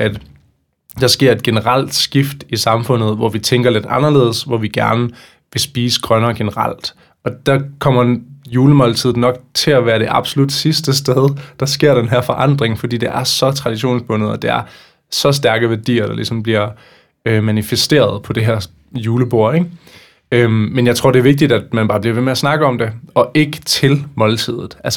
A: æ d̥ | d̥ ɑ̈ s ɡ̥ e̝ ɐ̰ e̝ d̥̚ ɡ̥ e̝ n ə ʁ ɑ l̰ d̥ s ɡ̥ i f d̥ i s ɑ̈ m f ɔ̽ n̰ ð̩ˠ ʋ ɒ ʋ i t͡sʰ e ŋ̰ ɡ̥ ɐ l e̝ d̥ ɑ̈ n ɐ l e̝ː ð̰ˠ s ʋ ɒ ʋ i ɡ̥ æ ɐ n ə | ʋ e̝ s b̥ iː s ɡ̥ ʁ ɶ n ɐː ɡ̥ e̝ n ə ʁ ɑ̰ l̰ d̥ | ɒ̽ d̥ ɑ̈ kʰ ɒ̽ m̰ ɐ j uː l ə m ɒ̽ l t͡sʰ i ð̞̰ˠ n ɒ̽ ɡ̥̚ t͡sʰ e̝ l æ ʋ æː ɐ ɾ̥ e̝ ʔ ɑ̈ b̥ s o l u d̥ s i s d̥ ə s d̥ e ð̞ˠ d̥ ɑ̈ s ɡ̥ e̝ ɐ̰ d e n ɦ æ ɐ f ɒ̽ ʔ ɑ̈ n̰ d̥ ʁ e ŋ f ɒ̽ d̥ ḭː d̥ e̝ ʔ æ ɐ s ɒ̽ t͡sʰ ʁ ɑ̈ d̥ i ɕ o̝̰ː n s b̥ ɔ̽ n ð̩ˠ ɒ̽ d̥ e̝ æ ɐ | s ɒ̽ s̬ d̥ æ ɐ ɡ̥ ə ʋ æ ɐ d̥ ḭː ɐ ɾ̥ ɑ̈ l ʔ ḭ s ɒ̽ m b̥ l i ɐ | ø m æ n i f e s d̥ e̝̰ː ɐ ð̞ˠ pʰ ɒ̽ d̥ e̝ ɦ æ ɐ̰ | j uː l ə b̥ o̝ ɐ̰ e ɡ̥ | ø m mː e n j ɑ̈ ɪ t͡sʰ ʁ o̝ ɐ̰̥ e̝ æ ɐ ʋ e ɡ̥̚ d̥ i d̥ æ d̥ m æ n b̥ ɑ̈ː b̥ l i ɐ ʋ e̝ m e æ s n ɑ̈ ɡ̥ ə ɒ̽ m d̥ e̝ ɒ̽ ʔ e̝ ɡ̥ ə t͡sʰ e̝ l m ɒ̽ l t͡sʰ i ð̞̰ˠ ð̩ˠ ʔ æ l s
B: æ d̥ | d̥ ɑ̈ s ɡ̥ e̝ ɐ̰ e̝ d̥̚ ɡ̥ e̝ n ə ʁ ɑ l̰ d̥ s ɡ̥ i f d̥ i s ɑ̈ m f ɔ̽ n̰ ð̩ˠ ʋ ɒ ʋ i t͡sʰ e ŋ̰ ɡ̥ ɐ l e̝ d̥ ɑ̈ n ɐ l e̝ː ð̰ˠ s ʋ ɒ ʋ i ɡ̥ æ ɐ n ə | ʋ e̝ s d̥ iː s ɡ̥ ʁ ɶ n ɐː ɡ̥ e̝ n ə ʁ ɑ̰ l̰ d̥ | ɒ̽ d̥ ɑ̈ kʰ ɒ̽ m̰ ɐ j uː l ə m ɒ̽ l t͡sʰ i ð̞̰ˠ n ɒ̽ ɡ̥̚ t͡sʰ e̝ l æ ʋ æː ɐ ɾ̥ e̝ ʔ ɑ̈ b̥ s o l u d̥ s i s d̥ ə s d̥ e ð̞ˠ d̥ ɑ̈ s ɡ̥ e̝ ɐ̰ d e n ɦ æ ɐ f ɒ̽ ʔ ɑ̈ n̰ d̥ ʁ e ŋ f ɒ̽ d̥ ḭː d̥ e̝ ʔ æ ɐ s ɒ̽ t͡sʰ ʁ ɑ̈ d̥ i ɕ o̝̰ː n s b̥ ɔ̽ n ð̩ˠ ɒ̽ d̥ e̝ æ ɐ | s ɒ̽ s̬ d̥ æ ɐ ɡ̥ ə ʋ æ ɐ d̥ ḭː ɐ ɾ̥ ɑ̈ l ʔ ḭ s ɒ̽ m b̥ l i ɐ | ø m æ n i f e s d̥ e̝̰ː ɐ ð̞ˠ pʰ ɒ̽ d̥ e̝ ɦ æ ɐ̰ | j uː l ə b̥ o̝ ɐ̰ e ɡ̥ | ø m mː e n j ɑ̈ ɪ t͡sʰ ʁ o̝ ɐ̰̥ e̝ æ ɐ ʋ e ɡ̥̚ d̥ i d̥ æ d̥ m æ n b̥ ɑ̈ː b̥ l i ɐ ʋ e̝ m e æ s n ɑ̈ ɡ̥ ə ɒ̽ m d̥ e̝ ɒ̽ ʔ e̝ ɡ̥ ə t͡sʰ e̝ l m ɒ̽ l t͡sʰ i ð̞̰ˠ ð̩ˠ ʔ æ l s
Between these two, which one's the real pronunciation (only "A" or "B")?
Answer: A